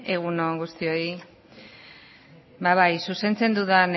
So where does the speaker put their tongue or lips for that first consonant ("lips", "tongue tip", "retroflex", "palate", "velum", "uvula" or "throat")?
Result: velum